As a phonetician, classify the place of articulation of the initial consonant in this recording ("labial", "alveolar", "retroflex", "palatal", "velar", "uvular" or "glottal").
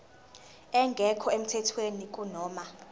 velar